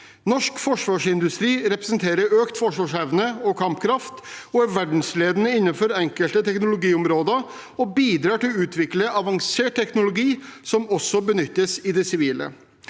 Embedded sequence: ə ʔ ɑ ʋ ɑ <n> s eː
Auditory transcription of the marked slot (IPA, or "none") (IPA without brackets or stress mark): ŋ